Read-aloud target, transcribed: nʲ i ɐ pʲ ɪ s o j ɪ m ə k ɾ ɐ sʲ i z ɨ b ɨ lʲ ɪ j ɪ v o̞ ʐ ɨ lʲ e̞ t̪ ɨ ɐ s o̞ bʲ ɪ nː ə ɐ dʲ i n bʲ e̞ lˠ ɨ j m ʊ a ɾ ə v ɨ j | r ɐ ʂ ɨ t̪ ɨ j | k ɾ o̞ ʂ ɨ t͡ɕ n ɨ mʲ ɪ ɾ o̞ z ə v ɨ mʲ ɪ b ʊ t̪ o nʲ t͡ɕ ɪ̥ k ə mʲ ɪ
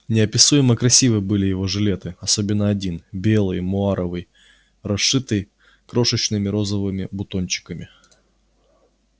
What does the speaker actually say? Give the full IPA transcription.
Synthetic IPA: nʲ ɪ ɐ pʲ ɪ s u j ɪ m ə k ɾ ɐ sʲ i v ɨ b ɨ lʲ ɪ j ɪ v o̞ ʐ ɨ lʲ e̞ t̪ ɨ ɐ s o̞ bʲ ɪ nː ə ɐ dʲ i n bʲ e̞ lˠ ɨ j m ʊ a ɾ ə v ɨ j | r ɐ ʂ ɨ t̪ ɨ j | k ɾ o̞ ʂ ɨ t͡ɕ n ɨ mʲ ɪ ɾ o̞ z ə v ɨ mʲ ɪ b ʊ t̪ o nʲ t͡ɕ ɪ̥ k ə mʲ ɪ

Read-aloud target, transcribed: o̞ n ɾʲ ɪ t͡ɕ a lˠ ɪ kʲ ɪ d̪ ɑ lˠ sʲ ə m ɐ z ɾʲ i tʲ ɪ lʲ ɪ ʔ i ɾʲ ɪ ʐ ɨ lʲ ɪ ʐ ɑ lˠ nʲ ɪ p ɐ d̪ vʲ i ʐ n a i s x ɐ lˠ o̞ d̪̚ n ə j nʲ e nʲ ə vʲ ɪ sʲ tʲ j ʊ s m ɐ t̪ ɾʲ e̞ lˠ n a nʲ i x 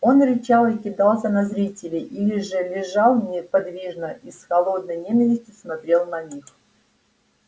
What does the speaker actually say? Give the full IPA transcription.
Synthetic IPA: o̞ n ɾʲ ɪ t͡ɕ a lˠ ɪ kʲ ɪ d̪ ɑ lˠ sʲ ə n ɐ z ɾʲ i tʲ ɪ lʲ ɪ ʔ i lʲ ɪ ʐ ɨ lʲ ɪ ʐ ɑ lˠ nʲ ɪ p ɐ d̪ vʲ i ʐ n ə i s x ɐ lˠ o̞ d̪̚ n ə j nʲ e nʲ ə vʲ ɪ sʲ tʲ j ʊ s m ɐ t̪ ɾʲ e̞ lˠ n ɐ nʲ i x

